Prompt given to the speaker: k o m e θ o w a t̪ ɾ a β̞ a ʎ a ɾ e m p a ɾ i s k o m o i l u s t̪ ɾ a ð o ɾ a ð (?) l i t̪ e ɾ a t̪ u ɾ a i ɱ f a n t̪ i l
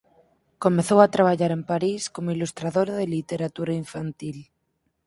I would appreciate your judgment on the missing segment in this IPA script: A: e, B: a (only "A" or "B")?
A